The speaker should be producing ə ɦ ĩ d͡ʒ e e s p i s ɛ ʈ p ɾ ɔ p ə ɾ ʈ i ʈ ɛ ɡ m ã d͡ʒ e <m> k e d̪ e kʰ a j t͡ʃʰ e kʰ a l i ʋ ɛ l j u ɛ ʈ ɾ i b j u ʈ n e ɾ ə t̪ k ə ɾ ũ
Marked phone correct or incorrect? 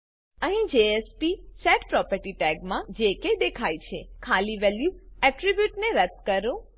incorrect